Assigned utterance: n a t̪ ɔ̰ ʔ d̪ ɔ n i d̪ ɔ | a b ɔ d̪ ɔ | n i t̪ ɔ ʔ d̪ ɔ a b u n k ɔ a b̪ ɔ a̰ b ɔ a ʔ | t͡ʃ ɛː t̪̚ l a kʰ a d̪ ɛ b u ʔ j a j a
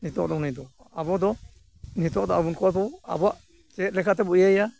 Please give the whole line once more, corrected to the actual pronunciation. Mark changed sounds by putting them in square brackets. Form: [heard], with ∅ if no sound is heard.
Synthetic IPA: n [i] t̪ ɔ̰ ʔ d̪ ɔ n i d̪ ɔ | a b ɔ d̪ ɔ | n i t̪ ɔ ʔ d̪ ɔ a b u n k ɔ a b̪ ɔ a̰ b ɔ a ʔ | t͡ʃ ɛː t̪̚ l [ɛ] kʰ a [t̪] ɛ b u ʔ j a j a